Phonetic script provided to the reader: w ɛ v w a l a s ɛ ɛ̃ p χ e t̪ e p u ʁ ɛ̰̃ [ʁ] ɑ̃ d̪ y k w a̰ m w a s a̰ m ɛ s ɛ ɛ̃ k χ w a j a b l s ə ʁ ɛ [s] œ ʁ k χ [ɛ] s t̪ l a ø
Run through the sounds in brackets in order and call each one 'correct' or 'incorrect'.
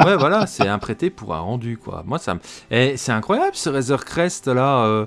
correct, incorrect: z, correct

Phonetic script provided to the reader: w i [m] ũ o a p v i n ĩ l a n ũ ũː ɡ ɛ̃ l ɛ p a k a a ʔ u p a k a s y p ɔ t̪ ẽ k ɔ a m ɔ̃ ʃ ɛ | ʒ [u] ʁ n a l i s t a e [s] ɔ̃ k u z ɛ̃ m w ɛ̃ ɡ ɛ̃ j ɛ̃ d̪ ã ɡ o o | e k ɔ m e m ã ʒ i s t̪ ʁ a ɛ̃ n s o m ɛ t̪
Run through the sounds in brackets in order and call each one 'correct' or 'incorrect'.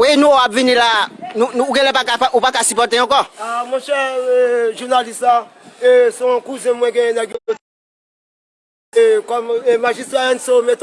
incorrect: n, correct, correct

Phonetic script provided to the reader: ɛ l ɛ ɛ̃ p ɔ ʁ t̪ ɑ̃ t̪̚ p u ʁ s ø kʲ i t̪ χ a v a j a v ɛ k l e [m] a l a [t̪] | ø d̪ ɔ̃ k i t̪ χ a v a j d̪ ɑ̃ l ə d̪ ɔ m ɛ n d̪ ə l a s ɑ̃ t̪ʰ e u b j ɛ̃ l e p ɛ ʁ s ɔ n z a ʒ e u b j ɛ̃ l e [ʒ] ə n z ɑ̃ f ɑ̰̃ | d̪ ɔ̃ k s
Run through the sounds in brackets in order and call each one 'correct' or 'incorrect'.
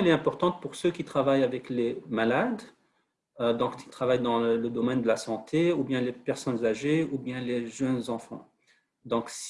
correct, incorrect: d̪, correct

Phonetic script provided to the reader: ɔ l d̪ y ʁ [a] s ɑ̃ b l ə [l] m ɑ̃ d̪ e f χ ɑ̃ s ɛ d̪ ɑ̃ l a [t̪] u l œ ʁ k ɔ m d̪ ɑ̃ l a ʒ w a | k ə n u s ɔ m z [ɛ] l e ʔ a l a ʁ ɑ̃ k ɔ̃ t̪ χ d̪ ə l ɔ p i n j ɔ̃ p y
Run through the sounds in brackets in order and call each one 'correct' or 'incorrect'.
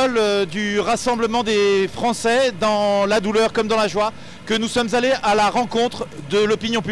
correct, incorrect: none, incorrect: d̪, incorrect: a

